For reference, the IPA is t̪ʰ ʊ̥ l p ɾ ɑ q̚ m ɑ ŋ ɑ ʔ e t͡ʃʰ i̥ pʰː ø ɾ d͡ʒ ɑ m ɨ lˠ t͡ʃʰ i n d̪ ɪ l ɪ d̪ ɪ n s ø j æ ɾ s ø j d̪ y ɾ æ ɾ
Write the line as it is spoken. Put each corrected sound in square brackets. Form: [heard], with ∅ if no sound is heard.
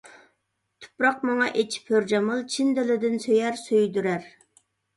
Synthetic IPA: t̪ʰ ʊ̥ [∅] p ɾ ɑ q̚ m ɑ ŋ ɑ ʔ e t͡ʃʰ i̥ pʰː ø ɾ d͡ʒ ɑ m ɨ lˠ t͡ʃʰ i n d̪ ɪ l ɪ d̪ ɪ n s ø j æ ɾ s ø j d̪ y ɾ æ ɾ